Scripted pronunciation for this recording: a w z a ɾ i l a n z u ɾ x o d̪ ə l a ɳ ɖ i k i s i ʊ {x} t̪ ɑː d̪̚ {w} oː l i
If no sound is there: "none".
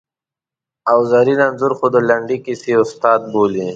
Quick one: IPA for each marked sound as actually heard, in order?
s, b

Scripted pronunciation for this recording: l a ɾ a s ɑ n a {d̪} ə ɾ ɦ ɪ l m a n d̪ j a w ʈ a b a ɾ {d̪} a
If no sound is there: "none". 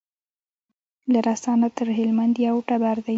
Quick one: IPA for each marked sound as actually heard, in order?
t̪, d̪

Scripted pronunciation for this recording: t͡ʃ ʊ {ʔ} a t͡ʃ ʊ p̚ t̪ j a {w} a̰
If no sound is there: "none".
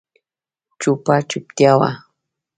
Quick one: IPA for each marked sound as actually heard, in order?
p, w

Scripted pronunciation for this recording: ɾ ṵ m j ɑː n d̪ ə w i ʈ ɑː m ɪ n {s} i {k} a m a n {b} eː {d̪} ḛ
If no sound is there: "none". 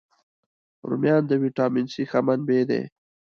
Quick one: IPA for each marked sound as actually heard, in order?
s, x, b, d̪

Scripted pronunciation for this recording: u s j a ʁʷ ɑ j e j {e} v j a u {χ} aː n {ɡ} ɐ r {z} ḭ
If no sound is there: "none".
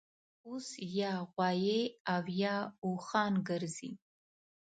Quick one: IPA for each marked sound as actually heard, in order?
a, χ, ɡ, z

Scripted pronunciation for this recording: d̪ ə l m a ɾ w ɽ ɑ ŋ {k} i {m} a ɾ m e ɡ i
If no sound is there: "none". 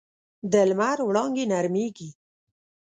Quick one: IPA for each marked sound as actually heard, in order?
ɡ, n

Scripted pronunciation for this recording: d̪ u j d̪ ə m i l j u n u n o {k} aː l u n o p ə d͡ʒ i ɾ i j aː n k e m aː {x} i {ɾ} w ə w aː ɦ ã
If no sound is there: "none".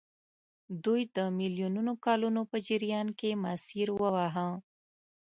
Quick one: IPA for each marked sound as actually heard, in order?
k, s, ɾ

